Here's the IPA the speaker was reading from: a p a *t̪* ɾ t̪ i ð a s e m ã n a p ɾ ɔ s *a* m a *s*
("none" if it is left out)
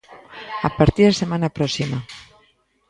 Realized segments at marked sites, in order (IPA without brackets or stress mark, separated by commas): none, i, none